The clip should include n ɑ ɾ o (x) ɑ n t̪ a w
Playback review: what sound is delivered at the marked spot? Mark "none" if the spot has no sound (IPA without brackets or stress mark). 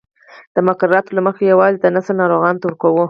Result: ɣ